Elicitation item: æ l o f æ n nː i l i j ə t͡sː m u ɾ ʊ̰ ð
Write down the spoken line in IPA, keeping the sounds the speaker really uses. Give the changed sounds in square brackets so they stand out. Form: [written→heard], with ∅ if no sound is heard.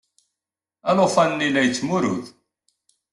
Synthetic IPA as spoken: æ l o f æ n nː i l [i→æ] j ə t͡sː m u ɾ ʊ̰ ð